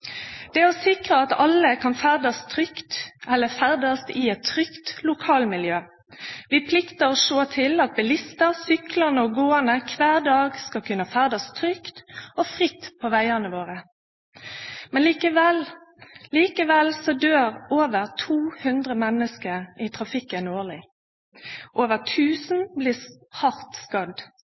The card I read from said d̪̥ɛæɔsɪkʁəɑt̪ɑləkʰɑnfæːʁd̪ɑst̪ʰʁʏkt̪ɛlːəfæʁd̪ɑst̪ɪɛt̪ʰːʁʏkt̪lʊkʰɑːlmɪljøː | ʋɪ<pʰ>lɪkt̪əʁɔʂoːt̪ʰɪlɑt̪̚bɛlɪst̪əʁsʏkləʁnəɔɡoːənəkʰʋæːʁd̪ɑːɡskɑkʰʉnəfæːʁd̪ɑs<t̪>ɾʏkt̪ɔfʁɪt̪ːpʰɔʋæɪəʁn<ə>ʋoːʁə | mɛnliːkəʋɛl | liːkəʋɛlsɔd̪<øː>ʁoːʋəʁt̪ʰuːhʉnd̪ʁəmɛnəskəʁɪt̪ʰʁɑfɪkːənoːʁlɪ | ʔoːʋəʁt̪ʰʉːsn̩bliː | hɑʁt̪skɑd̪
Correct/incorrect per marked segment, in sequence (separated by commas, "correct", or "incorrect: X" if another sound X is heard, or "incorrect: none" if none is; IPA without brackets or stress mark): correct, incorrect: t̪ʰ, correct, correct